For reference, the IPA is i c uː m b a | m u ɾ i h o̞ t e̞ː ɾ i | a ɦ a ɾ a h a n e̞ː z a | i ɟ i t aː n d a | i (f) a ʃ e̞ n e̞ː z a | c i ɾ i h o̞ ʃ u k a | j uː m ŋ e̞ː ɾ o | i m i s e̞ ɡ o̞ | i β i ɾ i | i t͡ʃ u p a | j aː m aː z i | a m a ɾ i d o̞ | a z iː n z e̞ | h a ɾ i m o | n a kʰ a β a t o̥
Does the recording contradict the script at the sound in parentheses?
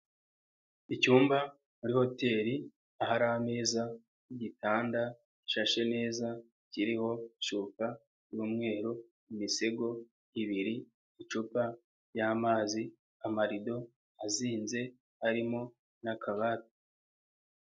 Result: yes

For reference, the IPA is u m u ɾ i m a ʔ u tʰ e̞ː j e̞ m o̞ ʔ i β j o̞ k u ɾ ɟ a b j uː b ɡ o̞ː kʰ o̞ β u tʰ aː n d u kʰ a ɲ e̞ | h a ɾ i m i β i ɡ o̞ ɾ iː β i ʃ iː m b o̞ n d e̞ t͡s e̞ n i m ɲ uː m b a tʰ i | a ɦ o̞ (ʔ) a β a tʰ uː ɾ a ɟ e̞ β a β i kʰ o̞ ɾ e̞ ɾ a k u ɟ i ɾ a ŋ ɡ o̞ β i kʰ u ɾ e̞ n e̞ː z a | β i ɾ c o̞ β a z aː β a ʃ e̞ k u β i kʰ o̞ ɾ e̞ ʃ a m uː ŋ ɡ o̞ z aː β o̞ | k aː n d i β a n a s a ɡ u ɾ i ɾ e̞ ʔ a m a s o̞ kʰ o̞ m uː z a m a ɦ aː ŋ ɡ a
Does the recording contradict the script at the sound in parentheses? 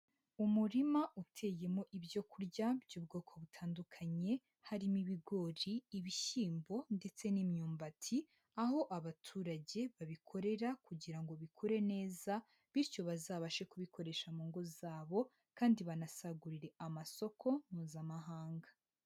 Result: no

